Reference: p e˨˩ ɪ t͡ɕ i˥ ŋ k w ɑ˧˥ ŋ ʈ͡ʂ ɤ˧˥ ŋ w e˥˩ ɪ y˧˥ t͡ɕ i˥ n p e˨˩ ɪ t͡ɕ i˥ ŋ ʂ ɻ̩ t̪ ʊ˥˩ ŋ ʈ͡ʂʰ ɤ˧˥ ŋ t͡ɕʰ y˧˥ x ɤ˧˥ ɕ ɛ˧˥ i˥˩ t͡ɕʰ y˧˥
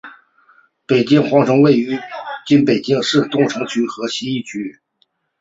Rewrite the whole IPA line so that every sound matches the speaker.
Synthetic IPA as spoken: p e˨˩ ɪ t͡ɕ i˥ ŋ x w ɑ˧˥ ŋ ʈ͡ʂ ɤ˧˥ ŋ w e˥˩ ɪ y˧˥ t͡ɕ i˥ n p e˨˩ ɪ t͡ɕ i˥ ŋ ʂ ɻ̩ t̪ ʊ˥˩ ŋ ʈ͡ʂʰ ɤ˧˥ ŋ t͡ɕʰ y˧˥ x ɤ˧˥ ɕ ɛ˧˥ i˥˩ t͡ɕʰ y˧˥